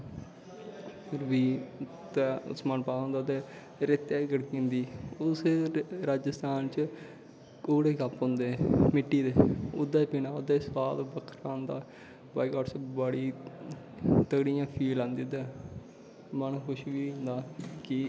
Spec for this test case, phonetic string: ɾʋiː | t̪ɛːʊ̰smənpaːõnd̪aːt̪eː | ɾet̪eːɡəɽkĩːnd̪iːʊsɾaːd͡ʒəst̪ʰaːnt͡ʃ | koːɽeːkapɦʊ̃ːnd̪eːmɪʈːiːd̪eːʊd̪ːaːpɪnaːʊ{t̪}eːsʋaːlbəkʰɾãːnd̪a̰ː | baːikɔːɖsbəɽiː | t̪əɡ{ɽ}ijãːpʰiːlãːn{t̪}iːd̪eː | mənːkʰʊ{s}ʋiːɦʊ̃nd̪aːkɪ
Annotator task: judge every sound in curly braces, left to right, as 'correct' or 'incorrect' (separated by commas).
incorrect, correct, incorrect, incorrect